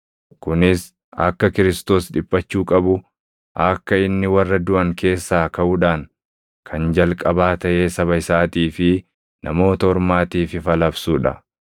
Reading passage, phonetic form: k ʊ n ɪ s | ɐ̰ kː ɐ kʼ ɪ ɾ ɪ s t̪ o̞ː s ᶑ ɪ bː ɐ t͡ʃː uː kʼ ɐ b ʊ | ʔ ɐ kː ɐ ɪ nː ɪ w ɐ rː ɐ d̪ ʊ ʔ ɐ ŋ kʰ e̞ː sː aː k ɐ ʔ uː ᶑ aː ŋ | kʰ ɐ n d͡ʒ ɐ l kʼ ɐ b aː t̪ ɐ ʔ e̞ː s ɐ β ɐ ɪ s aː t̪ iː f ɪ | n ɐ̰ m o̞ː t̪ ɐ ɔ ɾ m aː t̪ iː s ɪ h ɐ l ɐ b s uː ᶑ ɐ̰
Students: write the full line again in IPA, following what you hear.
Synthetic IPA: k ʊ n ɪ s | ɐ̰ kː ɐ k ɪ ɾ ɪ s t̪ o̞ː s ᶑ ɪ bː ɐ t͡ʃː uː kʼ ɐ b ʊ | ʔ ɐ kː ɐ ɪ nː ɪ w ɐ rː ɐ d̪ ʊ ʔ ɐ ŋ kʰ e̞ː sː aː k ɐ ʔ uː ᶑ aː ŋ | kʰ ɐ n d͡ʒ ɐ l kʼ ɐ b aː t̪ ɐ ʔ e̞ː s ɐ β ɐ ɪ s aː t̪ iː f ɪ | n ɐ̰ m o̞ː t̪ ɐ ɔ ɾ m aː t̪ iː f ɪ f ɐ l ɐ b s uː ᶑ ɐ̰

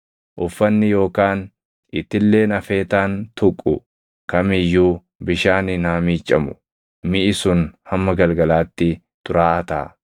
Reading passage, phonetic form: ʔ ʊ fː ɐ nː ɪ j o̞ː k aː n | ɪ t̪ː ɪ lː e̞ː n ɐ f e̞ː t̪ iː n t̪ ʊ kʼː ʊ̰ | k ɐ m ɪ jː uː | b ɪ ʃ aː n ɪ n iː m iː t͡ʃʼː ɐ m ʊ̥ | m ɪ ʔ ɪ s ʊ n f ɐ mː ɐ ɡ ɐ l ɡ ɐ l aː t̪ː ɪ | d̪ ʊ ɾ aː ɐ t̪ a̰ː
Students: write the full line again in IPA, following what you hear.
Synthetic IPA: ʔ ʊ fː ɐ nː ɪ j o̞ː k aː n | ɪ t̪ː ɪ lː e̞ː n ɐ f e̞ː t̪ aː n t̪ ʊ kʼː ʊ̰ | k ɐ m ɪ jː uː | b ɪ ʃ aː n ɪ n aː m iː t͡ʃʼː ɐ m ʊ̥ | m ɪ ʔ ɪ s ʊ n h ɐ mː ɐ ɡ ɐ l ɡ ɐ l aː t̪ː ɪ | t̪ ʊ ɾ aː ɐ t̪ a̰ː

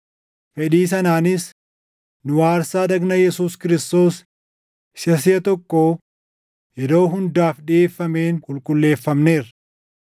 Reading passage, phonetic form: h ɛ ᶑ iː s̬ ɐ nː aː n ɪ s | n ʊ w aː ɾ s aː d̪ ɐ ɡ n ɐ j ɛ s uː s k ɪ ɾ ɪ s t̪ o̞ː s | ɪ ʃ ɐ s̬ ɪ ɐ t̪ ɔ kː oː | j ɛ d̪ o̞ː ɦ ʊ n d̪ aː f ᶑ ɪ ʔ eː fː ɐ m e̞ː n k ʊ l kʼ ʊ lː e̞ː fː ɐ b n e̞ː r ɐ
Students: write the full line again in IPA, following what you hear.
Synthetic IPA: f ɛ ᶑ iː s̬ ɐ n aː n ɪ s | n ʊ w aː ɾ s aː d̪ ɐ ɡ n ɐ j ɛ s uː s k ɪ ɾ ɪ s t̪ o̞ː s | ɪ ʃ ɐ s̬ ɪ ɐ t̪ ɔ kː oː | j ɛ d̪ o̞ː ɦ ʊ n d̪ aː f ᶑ ɪ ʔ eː fː ɐ m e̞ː n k ʊ l kʼ ʊ lː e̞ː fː ɐ m n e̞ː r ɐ

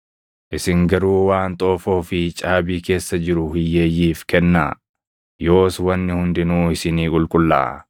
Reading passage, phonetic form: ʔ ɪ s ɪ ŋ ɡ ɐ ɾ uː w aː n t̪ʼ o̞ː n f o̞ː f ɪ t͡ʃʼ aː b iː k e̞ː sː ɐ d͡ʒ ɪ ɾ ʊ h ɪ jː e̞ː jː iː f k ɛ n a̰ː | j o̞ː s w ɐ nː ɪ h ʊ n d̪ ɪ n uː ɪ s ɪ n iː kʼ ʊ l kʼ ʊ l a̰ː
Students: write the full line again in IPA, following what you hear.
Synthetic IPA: ʔ ɪ s ɪ ŋ ɡ ɐ ɾ uː w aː n t̪ʼ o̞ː f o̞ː f ɪ t͡ʃʼ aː b iː k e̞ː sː ɐ d͡ʒ ɪ ɾ ʊ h ɪ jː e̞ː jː iː f k ɛ nː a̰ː | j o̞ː s w ɐ nː ɪ h ʊ n d̪ ɪ n uː ɪ s ɪ n iː kʼ ʊ l kʼ ʊ lː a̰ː

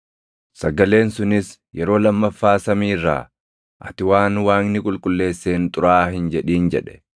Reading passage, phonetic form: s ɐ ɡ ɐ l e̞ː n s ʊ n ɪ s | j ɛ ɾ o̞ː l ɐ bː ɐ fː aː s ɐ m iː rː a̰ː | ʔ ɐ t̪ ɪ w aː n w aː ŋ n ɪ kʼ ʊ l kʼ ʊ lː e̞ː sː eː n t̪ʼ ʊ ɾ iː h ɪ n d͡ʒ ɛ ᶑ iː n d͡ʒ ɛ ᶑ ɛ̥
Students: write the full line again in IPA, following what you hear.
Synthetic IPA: s ɐ ɡ ɐ l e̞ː n s ʊ n ɪ s | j ɛ ɾ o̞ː l ɐ mː ɐ fː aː s ɐ m iː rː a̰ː | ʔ ɐ t̪ ɪ w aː n w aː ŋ n ɪ kʼ ʊ l kʼ ʊ lː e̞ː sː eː n t̪ʼ ʊ ɾ aː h ɪ n d͡ʒ ɛ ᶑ iː n d͡ʒ ɛ ᶑ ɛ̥

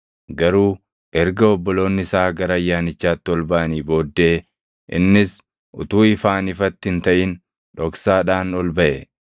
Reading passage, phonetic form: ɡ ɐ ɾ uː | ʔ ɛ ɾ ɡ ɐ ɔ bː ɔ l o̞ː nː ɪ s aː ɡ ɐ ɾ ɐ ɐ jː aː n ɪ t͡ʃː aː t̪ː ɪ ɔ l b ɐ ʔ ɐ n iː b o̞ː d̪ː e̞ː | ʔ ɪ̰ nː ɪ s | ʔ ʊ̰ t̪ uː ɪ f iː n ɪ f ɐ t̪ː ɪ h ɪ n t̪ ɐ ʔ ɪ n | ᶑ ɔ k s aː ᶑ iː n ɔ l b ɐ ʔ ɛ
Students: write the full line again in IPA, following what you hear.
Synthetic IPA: ɡ ɐ ɾ uː | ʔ ɛ ɾ ɡ ɐ ɔ bː ɔ l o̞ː nː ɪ s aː ɡ ɐ ɾ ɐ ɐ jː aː n ɪ t͡ʃː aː t̪ː ɪ ɔ l b ɐ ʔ ɐ n iː b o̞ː d̪ː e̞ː | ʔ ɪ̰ nː ɪ s | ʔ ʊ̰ t̪ uː ɪ f aː n ɪ f ɐ t̪ː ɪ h ɪ n t̪ ɐ ʔ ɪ n | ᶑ ɔ k s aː ᶑ aː n ɔ l b ɐ ʔ ɛ

